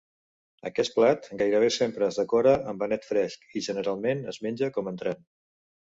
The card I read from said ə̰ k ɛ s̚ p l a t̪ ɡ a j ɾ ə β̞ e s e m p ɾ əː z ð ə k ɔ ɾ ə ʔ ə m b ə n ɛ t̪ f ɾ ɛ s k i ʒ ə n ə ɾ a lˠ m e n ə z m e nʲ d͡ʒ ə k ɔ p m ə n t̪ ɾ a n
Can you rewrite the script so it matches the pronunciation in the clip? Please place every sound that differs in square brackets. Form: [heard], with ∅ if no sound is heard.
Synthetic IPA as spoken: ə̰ k ɛ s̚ p l a t̪ ɡ a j ɾ ə β̞ e s e m p ɾ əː z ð ə k ɔ ɾ ə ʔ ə m b ə n ɛ t̪ f ɾ ɛ s k i ʒ ə n ə ɾ a lˠ m e n ə z m e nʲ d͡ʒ ə k ɔ [∅] m ə n t̪ ɾ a n